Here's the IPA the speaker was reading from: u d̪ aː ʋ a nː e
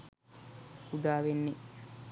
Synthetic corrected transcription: u d̪ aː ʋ e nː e